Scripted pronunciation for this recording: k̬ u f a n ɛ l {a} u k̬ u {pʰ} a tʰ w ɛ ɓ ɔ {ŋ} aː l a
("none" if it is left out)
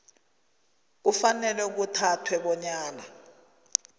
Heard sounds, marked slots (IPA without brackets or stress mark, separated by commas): ɛ, tʰ, ɲ